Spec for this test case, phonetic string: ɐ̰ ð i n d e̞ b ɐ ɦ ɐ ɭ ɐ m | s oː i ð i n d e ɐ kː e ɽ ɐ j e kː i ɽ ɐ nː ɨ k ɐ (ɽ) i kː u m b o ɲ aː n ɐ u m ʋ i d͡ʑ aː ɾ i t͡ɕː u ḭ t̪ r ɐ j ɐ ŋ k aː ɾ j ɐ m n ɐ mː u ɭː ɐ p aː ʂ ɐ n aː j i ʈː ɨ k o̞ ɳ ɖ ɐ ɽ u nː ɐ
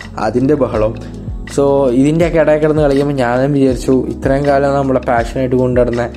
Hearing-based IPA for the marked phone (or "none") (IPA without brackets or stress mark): ɭ